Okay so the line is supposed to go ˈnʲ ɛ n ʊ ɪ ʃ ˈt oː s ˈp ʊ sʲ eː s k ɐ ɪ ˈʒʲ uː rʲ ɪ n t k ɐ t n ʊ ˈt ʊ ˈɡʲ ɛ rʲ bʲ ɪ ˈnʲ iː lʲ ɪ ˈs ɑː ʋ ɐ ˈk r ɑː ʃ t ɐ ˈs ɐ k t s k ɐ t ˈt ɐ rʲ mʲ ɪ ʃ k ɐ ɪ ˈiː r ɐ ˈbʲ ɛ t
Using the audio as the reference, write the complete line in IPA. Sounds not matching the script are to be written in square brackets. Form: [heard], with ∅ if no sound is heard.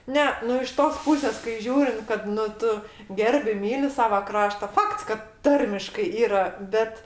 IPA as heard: ˈnʲ ɛ n ʊ ɪ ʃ ˈt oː s ˈp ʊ sʲ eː s k ɐ ɪ ˈʒʲ uː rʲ ɪ n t k ɐ t n ʊ ˈt ʊ ˈɡʲ ɛ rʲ bʲ ɪ [ˈmʲ] iː lʲ ɪ ˈs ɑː ʋ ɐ ˈk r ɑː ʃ t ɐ [ˈf] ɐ k t s k ɐ t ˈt ɐ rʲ mʲ ɪ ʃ k ɐ ɪ ˈiː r ɐ ˈbʲ ɛ t